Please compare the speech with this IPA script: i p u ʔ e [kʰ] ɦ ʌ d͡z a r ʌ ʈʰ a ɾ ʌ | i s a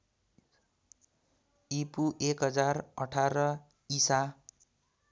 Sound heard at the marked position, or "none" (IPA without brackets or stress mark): k